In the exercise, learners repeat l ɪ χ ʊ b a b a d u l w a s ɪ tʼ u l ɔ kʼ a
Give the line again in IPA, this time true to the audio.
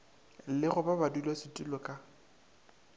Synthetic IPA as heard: l ɪ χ ʊ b a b a d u l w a s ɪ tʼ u l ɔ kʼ a

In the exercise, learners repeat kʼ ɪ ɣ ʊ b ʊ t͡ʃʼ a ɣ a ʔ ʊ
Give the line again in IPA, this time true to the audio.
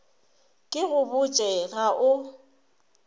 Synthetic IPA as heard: kʼ ɪ ɣ ʊ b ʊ t͡ʃʼ ɛ ɣ a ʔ ʊ

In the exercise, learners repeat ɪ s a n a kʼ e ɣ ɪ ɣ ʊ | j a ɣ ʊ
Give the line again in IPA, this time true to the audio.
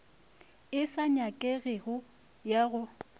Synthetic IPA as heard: ɪ s a ɲ a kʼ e ɣ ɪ ɣ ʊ | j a ɣ ʊ

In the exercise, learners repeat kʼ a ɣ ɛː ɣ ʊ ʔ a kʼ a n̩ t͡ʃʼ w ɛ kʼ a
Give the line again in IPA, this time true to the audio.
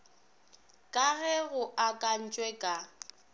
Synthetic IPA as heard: kʼ a ɣ ɛ ɣ ʊ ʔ a kʼ a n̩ t͡ʃʼ w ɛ kʼ a

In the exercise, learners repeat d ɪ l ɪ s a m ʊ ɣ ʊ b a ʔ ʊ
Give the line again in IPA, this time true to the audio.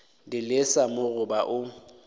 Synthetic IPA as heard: d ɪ l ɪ s a m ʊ ɣ ʊ b a ʔ ʊ

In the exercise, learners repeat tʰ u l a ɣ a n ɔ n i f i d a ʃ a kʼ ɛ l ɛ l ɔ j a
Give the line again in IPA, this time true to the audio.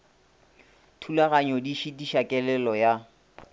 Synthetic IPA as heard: tʰ u l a ɣ a ɲ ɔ d i ʃ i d i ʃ a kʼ ɛ l ɛ l ɔ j a

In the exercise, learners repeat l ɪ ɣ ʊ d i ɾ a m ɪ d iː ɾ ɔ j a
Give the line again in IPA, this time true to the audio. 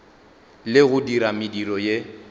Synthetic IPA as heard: l ɪ ɣ ʊ d i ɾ a m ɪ d i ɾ ɔ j e

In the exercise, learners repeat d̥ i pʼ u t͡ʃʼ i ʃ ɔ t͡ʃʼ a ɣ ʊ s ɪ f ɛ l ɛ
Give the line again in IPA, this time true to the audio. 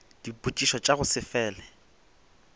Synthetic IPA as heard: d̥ i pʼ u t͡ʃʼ i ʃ ɔ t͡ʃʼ a ɣ ʊ s ɪ f ɛː l ɛ

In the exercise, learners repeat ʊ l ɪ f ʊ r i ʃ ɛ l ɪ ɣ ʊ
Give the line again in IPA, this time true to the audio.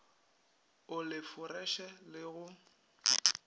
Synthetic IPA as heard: ʊ l ɪ f ʊ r ɛ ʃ ɛ l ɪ ɣ ʊ

